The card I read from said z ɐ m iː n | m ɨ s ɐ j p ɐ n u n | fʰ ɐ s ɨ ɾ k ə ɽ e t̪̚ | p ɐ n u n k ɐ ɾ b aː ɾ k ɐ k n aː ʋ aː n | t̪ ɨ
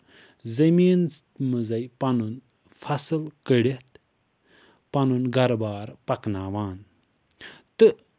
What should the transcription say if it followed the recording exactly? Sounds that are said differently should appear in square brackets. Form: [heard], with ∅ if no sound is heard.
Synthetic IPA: z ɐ m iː n | m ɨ [z] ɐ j p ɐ n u n | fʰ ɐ s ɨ [l] k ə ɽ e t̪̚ | p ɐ n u n [ɡ] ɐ ɾ b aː ɾ [p] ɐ k n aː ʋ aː n | t̪ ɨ